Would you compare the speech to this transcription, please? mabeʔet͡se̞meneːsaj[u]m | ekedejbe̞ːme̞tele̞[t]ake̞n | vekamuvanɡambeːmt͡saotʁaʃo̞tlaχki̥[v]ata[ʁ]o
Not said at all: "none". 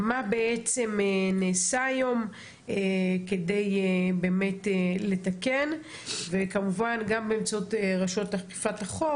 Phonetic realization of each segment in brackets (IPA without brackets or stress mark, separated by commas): o, t, f, χ